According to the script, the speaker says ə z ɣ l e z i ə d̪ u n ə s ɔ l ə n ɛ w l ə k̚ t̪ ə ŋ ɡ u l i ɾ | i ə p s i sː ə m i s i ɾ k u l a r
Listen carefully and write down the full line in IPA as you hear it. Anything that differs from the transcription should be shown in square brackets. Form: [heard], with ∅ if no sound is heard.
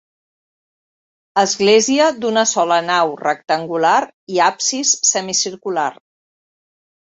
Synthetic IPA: ə z ɣ l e z i ə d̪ u n ə s ɔ l ə n [a] w [r] ə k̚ t̪ ə ŋ ɡ u l [a] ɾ | i [a] p s i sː ə m i s i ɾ k u l a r